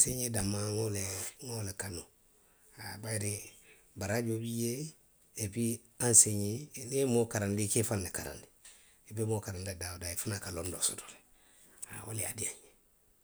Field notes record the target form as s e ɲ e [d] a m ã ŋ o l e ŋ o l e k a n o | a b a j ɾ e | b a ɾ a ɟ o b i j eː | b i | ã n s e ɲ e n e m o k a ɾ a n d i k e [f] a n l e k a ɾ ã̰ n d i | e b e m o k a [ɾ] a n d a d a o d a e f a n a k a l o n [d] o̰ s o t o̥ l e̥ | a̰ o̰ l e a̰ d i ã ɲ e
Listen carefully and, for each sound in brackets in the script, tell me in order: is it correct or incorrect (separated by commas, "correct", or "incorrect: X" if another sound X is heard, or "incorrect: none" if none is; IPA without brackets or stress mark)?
correct, correct, correct, correct